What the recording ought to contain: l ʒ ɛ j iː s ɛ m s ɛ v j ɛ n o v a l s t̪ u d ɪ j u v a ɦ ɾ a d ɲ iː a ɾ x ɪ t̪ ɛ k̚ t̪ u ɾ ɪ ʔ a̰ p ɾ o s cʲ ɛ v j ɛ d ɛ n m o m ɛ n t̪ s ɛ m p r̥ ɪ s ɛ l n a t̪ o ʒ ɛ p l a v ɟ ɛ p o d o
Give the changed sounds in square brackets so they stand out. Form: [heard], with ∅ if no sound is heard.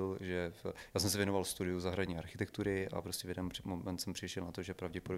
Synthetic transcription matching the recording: l ʒ ɛ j [aː] s ɛ m s ɛ v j ɛ n o v a l s t̪ u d ɪ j u [z] a ɦ ɾ a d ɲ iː a ɾ x ɪ t̪ ɛ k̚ t̪ u ɾ ɪ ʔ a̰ p ɾ o s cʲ ɛ v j ɛ d ɛ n m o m ɛ n t̪ s ɛ m p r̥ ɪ [ʃ] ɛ l n a t̪ o ʒ ɛ p [ɾ] a v ɟ ɛ p o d o